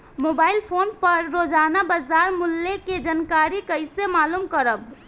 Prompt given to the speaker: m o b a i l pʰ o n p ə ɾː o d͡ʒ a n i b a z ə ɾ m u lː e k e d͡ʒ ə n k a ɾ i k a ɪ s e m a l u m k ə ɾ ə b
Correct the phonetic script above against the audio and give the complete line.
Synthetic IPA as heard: m o b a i l pʰ o n p ə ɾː o d͡ʒ a n a b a z a ɾ m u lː e k e d͡ʒ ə n k a ɾ i k ə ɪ s e m a l u m k ə ɾ ə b